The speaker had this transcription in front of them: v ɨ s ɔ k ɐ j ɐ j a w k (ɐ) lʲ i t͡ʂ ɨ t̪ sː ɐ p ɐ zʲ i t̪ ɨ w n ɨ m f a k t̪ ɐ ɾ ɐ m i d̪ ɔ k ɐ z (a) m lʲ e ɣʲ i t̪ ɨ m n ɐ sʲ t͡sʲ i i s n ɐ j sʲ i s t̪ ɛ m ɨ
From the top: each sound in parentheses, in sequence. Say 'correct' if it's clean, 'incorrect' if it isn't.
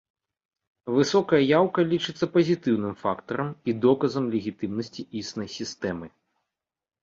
correct, incorrect

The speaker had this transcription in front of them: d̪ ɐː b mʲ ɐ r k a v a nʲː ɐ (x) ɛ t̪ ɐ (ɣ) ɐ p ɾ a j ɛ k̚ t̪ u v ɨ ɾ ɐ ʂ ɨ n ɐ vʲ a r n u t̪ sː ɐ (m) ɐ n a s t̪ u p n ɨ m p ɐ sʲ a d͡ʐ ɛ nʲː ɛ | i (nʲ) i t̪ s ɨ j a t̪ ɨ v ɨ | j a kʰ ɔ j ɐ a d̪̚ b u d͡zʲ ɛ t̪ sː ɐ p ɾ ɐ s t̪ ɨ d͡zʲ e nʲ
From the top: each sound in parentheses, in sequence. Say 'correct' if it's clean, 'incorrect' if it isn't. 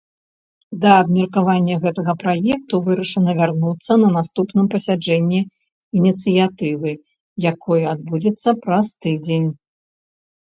incorrect, correct, incorrect, correct

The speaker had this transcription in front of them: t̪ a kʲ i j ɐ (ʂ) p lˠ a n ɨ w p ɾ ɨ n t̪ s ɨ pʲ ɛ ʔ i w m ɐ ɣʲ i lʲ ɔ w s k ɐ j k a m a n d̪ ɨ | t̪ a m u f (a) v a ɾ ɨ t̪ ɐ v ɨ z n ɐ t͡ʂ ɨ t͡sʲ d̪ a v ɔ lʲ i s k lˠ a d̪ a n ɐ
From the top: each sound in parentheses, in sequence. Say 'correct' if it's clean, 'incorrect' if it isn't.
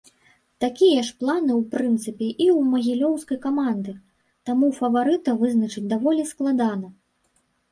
correct, incorrect

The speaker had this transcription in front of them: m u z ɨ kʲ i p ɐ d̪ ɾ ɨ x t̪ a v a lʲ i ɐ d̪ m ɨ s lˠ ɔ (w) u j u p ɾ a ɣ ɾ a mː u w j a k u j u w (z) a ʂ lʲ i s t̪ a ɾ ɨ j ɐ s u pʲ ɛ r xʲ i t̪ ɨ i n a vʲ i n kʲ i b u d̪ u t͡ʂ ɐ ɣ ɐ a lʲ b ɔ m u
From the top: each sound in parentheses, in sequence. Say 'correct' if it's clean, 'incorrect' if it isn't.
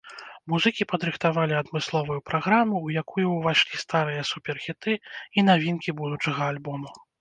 incorrect, incorrect

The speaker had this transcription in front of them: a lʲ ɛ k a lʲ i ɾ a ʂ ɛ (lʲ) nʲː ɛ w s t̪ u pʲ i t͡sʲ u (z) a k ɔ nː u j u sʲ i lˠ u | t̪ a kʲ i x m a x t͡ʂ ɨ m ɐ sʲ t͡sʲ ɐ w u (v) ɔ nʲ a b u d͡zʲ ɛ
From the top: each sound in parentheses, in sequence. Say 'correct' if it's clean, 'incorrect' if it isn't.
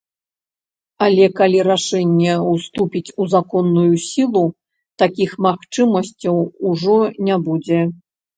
incorrect, correct, incorrect

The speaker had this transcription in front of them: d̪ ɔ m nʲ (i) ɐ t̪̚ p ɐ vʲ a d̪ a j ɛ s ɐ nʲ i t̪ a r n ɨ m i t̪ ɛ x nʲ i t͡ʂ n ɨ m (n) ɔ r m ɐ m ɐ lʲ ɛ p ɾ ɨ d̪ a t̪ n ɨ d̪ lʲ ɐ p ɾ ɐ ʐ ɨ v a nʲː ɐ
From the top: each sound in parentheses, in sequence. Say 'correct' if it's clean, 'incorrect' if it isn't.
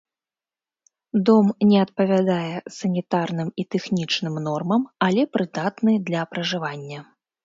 incorrect, correct

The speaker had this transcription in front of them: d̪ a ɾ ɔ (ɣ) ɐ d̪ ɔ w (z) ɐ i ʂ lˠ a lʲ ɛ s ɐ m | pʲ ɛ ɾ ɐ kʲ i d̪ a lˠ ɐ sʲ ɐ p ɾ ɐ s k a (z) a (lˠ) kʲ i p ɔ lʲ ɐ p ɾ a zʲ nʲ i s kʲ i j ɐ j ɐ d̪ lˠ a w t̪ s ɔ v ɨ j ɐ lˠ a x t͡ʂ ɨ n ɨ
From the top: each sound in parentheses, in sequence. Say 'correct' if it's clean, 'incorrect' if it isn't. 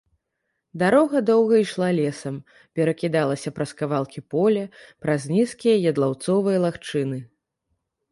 correct, incorrect, incorrect, correct

